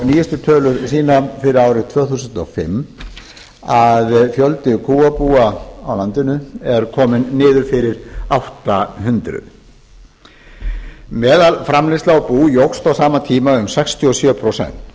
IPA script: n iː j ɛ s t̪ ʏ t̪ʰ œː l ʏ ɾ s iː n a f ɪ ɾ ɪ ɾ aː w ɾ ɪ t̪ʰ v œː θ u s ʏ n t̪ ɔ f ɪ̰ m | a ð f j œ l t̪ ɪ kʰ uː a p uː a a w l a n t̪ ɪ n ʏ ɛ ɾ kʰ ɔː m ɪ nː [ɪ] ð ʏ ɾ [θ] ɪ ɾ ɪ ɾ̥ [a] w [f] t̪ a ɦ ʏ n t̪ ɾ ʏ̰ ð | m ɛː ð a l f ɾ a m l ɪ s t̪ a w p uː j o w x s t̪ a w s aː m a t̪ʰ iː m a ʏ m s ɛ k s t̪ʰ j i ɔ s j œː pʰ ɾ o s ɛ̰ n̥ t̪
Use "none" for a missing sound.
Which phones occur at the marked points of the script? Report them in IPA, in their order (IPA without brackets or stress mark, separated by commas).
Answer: ɪː, f, a, h